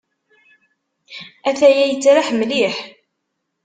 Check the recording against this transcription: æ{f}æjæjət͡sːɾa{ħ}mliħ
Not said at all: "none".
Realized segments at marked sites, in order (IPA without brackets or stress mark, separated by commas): θ, ħ